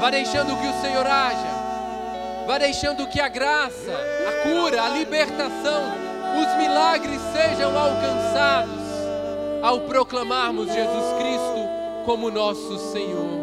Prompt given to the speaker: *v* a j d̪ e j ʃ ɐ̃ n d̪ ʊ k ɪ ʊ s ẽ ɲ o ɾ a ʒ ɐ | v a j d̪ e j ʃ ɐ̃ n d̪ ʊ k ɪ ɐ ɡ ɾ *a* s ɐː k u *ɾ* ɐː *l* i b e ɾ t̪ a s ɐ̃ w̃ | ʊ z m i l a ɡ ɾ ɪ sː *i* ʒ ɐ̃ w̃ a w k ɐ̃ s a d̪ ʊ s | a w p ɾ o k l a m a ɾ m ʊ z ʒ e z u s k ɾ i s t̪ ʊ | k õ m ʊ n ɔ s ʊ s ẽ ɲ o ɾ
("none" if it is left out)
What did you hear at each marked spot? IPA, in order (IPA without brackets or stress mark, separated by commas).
v, a, ɾ, l, e